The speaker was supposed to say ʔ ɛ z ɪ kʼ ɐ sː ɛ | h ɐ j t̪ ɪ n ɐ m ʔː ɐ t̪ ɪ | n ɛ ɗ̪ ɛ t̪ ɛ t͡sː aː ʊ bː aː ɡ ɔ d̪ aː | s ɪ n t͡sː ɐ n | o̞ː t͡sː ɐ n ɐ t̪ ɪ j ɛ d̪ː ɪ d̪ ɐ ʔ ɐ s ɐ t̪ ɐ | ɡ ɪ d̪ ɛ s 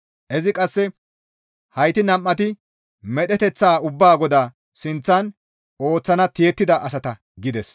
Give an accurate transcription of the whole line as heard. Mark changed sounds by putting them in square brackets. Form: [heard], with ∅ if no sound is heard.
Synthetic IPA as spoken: ʔ ɛ z ɪ kʼ ɐ sː ɛ | h ɐ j t̪ ɪ n ɐ m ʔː ɐ t̪ ɪ | [m] ɛ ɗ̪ ɛ t̪ ɛ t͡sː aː ʊ bː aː ɡ ɔ d̪ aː | s ɪ n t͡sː ɐ n | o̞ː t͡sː ɐ n ɐ t̪ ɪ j ɛ [t̪ː] ɪ d̪ ɐ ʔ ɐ s ɐ t̪ ɐ | ɡ ɪ d̪ ɛ s

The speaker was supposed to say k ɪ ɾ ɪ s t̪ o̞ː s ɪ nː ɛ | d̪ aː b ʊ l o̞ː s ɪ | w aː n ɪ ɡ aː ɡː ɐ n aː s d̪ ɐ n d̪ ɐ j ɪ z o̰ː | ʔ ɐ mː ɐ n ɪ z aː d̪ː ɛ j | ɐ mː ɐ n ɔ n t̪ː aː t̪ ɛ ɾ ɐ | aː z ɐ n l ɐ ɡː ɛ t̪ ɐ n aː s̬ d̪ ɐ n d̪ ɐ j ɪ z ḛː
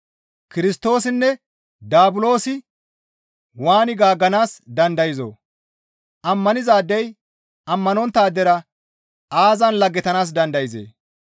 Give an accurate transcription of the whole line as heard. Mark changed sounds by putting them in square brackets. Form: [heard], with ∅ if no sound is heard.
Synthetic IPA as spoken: k ɪ ɾ ɪ s t̪ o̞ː s ɪ nː ɛ | d̪ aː b ʊ l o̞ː s ɪ | w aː n ɪ ɡ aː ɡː ɐ n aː s d̪ ɐ n d̪ ɐ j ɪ z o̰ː | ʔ ɐ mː ɐ n ɪ z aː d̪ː ɛ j | ɐ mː ɐ n ɔ n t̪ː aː [d̪] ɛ ɾ ɐ | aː z ɐ n l ɐ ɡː ɛ t̪ ɐ n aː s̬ d̪ ɐ n d̪ ɐ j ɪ z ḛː

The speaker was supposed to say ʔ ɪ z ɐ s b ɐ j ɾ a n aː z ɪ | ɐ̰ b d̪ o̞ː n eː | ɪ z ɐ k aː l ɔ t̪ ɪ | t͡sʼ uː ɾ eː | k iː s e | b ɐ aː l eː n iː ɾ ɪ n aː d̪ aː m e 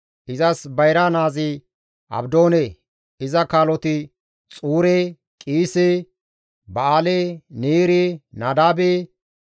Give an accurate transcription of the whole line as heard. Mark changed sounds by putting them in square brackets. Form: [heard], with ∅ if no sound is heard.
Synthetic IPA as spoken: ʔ ɪ z ɐ s b ɐ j ɾ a n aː z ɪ | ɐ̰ b d̪ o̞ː n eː | ɪ z ɐ k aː l ɔ t̪ ɪ | t͡sʼ uː ɾ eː | [kʼ] iː s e | b ɐ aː l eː n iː ɾ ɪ n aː d̪ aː [b] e

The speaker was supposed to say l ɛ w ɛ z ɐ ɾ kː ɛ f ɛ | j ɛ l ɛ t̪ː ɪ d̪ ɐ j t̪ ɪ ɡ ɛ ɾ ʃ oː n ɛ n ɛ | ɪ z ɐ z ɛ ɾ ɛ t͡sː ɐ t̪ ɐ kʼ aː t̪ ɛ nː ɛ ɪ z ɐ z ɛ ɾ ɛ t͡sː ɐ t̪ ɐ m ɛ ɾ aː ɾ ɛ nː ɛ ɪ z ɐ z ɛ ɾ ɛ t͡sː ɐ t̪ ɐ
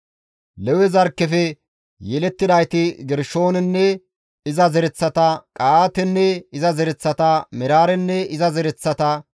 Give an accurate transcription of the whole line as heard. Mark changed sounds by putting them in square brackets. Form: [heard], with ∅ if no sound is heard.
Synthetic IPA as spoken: l ɛ w ɛ z ɐ ɾ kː ɛ f ɛ | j ɛ l ɛ t̪ː ɪ d̪ ɐ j t̪ ɪ ɡ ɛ ɾ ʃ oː n ɛ [nː] ɛ | ɪ z ɐ z ɛ ɾ ɛ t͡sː ɐ t̪ ɐ kʼ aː t̪ ɛ nː ɛ ɪ z ɐ z ɛ ɾ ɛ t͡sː ɐ t̪ ɐ m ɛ ɾ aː ɾ ɛ nː ɛ ɪ z ɐ z ɛ ɾ ɛ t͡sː ɐ t̪ ɐ

